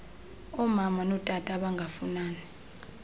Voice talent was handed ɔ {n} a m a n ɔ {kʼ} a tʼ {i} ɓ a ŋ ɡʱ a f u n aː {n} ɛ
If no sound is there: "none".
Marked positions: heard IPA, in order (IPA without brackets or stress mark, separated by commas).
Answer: m, tʼ, a, n